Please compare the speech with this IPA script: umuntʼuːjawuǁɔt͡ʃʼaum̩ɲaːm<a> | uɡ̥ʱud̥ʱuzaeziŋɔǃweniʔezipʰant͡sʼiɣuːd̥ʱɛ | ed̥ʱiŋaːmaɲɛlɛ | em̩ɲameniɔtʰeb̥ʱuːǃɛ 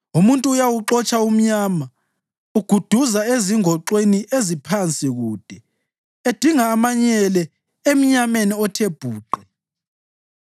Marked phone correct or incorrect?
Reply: correct